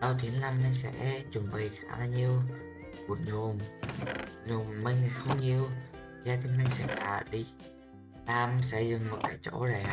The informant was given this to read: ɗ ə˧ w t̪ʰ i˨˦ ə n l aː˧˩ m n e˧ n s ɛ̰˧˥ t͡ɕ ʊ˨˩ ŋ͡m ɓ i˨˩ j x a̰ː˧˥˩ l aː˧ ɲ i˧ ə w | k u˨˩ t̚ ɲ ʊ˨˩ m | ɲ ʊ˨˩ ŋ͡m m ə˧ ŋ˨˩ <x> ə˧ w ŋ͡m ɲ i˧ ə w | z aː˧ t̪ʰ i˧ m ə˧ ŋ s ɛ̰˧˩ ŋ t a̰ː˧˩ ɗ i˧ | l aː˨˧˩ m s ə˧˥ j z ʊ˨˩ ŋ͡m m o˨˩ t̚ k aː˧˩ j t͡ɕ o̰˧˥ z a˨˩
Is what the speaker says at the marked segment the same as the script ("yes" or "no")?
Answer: yes